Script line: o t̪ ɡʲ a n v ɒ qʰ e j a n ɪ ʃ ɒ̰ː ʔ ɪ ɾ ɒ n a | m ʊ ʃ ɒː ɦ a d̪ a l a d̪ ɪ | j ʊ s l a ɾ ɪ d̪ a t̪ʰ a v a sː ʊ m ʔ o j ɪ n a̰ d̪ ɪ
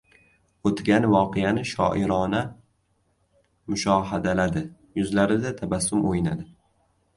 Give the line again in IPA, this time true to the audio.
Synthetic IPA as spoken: o t̪ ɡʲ a n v ɒ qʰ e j a n ɪ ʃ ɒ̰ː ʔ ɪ ɾ ɒ n a | m ʊ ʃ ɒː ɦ a d̪ a l a d̪ ɪ | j ʊ z l a ɾ ɪ d̪ a t̪ʰ a b a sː ʊ m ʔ o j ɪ n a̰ d̪ ɪ